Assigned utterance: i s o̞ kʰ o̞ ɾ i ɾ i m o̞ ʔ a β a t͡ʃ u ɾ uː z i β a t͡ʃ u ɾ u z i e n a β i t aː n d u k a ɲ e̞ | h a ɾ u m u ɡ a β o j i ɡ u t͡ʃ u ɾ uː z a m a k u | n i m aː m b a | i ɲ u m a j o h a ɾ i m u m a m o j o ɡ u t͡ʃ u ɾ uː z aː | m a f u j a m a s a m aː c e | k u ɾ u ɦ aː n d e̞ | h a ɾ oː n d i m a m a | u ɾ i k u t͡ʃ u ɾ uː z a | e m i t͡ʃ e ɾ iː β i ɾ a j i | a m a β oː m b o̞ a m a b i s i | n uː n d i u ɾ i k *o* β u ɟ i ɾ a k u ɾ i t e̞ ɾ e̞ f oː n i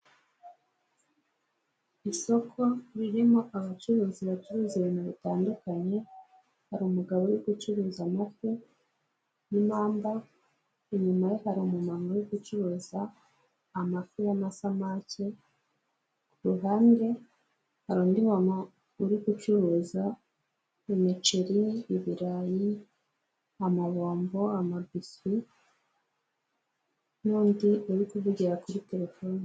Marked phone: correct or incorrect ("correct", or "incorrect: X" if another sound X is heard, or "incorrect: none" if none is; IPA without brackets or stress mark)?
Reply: incorrect: u